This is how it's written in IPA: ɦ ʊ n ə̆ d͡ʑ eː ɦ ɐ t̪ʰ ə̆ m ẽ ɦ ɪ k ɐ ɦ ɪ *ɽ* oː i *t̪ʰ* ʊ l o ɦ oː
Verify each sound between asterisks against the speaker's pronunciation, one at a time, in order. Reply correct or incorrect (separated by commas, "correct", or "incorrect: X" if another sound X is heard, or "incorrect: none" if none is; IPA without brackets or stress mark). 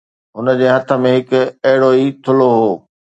correct, correct